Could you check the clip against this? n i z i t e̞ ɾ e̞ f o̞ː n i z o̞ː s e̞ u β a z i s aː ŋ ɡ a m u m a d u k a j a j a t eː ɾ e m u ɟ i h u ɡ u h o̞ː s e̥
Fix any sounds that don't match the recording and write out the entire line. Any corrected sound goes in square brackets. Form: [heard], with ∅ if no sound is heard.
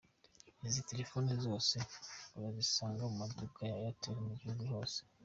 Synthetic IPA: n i z i t e̞ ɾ e̞ f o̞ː n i z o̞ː s e̞ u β a z i s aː ŋ ɡ a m u m a d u k a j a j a t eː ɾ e m u ɟ i h u ɡ u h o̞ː s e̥